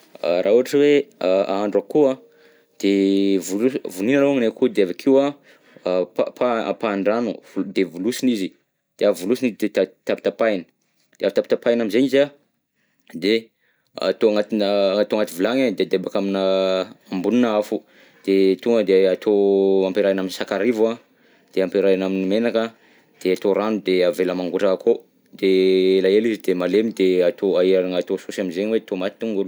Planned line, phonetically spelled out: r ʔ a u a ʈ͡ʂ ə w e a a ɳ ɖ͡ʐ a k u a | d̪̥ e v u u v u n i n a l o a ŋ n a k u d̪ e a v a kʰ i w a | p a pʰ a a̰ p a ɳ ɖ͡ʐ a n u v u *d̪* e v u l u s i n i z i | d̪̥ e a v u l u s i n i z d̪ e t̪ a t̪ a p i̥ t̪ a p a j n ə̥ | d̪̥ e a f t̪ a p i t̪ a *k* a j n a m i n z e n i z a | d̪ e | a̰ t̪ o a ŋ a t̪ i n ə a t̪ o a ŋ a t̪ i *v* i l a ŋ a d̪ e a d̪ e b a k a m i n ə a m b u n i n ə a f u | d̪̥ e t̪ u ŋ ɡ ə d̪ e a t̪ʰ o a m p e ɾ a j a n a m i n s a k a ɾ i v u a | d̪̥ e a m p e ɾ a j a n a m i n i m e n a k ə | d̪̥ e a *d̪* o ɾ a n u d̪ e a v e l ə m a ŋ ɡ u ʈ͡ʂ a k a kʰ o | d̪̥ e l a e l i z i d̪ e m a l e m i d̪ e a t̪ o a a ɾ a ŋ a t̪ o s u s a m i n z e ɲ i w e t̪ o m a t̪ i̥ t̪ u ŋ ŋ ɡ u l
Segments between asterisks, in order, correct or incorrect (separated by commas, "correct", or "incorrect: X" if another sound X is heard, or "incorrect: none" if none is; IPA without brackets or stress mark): correct, incorrect: p, correct, incorrect: t̪